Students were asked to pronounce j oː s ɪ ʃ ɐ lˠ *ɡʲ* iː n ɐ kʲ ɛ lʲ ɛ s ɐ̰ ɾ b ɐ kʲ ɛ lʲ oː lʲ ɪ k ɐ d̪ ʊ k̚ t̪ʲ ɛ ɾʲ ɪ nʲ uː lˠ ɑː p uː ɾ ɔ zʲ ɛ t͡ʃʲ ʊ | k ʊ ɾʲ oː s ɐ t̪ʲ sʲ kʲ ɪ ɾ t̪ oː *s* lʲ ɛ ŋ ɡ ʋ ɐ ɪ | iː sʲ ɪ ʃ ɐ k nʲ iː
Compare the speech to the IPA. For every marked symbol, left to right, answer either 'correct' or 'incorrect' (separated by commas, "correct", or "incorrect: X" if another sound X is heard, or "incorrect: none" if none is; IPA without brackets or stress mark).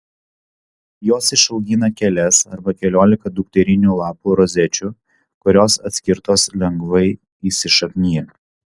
correct, correct